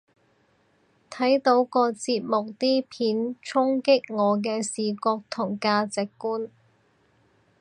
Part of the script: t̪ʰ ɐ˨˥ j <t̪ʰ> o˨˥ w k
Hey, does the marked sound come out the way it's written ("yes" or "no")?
no